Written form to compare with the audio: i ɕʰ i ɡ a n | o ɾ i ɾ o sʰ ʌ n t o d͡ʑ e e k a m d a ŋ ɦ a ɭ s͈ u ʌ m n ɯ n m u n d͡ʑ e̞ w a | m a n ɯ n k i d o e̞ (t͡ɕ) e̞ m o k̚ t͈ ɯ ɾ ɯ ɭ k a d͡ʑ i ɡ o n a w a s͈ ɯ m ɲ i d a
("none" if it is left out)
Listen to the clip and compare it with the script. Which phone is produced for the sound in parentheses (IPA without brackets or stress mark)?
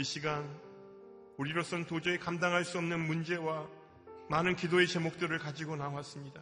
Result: t͡ɕ